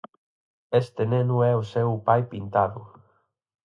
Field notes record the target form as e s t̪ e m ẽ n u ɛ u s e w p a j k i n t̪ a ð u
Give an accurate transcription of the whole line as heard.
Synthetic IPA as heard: e s t̪ e n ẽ n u ɛ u s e w p a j p i n t̪ a ð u

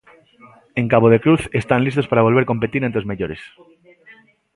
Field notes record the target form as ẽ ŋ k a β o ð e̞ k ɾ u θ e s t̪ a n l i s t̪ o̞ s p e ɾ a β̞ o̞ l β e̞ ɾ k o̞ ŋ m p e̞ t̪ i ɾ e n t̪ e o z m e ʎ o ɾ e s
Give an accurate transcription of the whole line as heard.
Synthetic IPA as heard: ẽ ŋ k a β o ð e̞ k ɾ u θ e s t̪ a n l i s t̪ o̞ s p a ɾ a β̞ o̞ l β e̞ ɾ k o̞ m p e̞ t̪ i ɾ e n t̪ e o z m e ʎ o ɾ e s

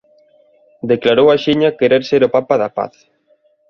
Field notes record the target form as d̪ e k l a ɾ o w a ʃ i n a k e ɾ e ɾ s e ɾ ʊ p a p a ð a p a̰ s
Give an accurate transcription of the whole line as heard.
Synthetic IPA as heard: d̪ e k l a ɾ o w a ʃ i ɲ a k e ɾ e ɾ s e ɾ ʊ p a p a ð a p a̰ θ

